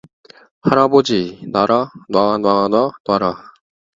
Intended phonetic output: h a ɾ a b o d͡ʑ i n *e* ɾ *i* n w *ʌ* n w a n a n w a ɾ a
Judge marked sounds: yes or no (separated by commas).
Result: no, no, no